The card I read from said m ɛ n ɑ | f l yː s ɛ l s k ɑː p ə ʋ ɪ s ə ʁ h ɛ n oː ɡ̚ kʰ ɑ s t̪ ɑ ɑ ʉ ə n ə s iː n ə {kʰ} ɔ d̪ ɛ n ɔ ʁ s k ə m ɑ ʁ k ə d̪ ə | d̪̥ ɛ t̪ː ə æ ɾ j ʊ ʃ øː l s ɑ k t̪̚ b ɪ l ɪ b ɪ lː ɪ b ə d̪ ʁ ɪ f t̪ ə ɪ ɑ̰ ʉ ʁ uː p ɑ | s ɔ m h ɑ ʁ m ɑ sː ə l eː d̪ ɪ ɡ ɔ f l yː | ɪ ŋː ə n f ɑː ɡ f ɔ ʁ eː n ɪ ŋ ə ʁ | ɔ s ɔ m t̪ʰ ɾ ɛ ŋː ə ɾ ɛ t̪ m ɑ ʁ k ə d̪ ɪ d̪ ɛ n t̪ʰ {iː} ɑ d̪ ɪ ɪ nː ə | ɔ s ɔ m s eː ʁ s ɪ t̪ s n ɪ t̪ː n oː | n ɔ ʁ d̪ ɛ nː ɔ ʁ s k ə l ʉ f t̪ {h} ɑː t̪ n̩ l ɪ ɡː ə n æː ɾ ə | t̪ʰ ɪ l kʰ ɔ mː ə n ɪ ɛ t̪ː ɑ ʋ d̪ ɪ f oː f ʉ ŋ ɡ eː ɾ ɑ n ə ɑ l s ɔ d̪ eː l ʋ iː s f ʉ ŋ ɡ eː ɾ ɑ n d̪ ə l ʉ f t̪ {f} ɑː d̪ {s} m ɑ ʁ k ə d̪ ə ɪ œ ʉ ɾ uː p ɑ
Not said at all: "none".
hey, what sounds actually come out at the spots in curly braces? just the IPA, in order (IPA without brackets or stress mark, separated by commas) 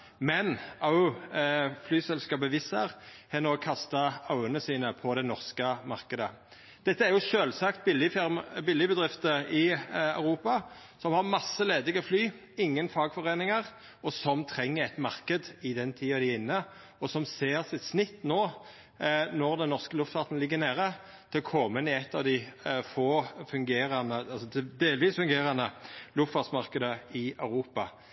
pʰ, iː, f, f, s